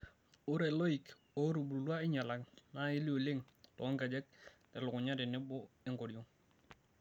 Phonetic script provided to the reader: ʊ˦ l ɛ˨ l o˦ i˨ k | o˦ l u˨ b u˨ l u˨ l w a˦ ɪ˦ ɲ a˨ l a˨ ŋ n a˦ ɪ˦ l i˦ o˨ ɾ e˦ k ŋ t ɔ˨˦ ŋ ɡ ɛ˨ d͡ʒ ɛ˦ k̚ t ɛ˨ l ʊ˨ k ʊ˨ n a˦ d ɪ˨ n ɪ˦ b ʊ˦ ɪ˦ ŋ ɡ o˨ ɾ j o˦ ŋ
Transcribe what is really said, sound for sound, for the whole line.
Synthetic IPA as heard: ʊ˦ ɾ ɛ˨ l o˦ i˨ k | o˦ ɾ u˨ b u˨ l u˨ l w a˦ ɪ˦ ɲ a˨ l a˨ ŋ n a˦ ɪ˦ l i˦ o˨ l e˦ ŋ t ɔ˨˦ ŋ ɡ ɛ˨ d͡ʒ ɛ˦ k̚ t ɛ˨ l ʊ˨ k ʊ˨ ɲ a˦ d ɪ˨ n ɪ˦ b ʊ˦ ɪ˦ ŋ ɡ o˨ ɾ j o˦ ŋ